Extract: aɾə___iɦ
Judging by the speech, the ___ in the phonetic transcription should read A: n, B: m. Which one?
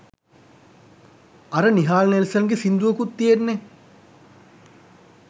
A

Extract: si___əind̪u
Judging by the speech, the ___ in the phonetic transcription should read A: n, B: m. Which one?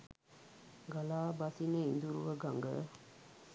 A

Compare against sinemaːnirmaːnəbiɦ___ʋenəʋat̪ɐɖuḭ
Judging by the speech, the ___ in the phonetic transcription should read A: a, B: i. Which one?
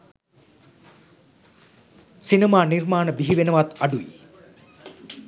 B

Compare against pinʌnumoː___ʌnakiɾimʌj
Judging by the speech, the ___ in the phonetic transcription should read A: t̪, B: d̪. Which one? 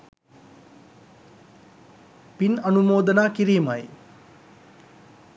B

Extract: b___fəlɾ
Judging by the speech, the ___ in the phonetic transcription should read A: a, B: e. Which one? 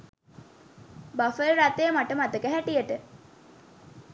A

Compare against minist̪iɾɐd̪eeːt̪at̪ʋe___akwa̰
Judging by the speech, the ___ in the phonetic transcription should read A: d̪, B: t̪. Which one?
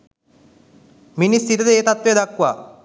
A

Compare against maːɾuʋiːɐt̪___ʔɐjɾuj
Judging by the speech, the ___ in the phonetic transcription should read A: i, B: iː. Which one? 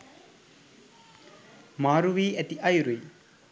A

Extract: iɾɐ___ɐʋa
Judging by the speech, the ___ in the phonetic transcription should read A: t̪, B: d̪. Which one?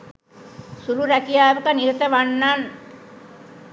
A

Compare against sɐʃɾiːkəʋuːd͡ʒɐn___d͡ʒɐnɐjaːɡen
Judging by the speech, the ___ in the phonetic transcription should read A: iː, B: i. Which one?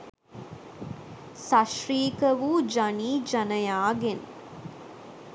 A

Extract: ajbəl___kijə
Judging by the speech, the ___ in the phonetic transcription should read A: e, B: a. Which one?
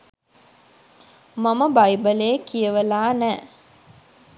A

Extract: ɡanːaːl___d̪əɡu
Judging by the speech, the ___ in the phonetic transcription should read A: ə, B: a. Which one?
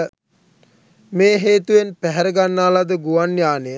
B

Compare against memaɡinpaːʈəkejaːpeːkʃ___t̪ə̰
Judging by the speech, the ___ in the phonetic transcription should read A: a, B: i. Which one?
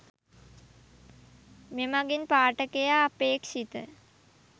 B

